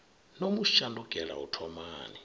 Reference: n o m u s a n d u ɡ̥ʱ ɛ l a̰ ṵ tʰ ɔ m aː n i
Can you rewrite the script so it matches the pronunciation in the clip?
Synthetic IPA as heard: n o m u ʃ a n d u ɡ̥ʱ ɛ l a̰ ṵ tʰ ɔ m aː n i

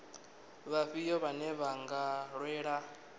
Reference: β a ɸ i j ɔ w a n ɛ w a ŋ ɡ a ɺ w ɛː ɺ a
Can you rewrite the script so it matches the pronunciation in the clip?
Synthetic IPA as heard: β a ɸ i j ɔ β a n ɛ β a ŋ ɡ a ɺ w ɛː ɺ a

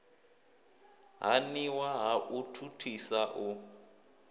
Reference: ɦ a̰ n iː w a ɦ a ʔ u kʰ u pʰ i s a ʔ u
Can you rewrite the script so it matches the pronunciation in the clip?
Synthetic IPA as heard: ɦ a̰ n i w a ɦ a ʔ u tʰ u tʰ i s a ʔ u

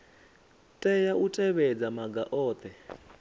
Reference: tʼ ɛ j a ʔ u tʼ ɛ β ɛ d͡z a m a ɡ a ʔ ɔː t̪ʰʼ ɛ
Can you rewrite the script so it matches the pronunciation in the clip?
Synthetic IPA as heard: tʼ ɛ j a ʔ u tʼ ɛ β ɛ d͡z a m a ɡ a ʔ ɔː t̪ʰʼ ɛ

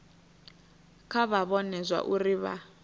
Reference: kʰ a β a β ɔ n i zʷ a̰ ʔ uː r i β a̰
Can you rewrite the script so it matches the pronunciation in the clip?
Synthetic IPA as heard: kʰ a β a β ɔ n ɛ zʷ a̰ ʔ u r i β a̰

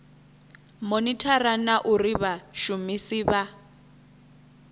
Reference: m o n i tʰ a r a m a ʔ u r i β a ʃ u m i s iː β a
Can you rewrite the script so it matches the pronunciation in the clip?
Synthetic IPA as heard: m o n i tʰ a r a n a ʔ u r i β a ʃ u m i s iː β a

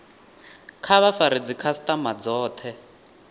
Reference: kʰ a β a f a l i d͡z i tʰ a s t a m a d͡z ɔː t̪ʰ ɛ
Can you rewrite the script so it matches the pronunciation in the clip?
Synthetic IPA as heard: kʰ a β a f a ɾ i d͡z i kʰ a s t a m a d͡z ɔː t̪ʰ ɛ

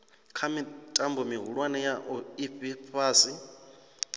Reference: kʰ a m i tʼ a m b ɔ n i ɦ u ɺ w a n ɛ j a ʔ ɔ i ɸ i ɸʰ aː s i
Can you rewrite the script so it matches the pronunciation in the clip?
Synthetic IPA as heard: kʰ a m i tʼ a m b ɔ m i ɦ u ɺ w a n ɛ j a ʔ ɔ i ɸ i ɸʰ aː s i

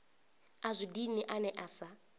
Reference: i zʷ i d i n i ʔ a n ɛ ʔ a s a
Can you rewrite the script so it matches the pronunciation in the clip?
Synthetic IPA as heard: a zʷ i d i n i ʔ a n ɛ ʔ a s a

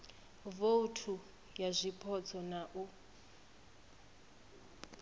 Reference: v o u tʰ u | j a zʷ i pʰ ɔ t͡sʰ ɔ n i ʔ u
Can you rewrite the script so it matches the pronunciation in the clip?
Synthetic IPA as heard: v o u tʰ u | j a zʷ i pʰ ɔ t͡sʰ ɔ n a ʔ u

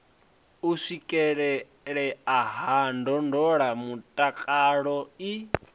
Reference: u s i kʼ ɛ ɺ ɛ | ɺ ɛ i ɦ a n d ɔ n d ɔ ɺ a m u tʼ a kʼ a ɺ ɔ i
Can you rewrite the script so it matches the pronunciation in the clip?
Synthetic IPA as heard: u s i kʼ ɛ ɺ ɛ | ɺ ɛ a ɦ a n d ɔ n d ɔ ɺ a m u tʼ a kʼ a ɺ ɔ i

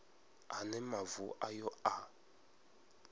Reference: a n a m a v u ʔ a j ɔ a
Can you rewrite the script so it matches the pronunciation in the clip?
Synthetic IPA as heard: a n ɛ m a v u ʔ a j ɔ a

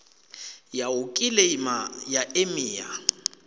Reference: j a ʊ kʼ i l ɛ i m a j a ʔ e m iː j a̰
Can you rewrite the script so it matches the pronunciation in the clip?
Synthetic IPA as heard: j a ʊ kʼ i l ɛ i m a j a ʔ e m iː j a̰

